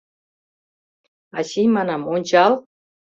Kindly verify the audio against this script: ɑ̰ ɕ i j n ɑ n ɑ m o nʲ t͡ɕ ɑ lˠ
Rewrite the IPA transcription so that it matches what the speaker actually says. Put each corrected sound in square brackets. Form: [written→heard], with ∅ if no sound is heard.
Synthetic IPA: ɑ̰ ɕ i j [n→m] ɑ n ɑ m o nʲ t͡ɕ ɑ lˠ